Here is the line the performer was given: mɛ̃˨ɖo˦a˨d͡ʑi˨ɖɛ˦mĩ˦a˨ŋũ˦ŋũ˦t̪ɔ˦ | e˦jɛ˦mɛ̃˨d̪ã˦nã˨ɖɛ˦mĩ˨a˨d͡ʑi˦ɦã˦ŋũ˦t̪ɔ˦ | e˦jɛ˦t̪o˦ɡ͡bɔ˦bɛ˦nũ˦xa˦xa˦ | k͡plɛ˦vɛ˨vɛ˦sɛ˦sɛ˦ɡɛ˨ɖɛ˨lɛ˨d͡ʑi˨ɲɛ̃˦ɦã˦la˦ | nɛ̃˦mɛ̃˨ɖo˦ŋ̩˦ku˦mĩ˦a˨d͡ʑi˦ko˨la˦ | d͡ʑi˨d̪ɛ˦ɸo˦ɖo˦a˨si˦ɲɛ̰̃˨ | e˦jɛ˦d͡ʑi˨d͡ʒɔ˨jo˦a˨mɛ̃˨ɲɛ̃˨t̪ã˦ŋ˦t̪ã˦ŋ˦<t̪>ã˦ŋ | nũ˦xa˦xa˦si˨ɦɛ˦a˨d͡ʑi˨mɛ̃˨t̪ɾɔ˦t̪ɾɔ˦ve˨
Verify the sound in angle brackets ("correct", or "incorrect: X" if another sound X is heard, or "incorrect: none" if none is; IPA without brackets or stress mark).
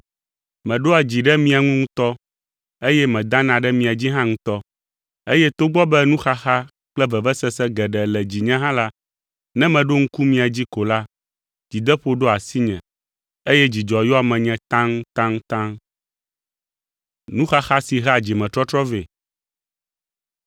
correct